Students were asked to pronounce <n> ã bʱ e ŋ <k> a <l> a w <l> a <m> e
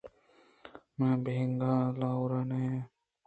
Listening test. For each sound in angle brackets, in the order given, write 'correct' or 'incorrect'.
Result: incorrect: m, incorrect: ɡ, correct, incorrect: ɾ, incorrect: n

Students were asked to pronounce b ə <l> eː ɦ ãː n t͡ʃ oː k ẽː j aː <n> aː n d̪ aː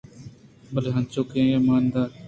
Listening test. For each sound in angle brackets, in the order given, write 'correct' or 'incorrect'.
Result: correct, incorrect: m

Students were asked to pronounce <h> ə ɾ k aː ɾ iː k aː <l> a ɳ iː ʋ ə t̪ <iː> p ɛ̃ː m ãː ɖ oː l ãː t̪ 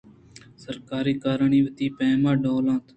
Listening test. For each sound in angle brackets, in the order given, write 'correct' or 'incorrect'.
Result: incorrect: s, incorrect: ɾ, correct

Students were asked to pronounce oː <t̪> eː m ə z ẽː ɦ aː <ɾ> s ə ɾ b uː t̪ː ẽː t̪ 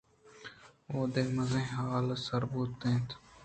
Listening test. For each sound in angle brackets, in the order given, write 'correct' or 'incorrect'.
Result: incorrect: d̪, incorrect: l

